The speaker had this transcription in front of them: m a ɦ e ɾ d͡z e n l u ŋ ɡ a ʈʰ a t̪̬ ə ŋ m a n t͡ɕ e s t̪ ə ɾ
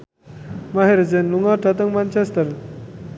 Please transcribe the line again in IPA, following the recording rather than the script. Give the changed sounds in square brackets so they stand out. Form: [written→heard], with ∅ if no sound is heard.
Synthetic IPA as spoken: m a ɦ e ɾ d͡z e n l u ŋ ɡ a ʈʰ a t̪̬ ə ŋ m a n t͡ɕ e s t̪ ə ɾ